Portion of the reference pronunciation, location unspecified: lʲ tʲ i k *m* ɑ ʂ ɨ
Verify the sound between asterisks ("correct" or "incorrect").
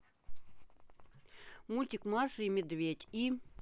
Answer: correct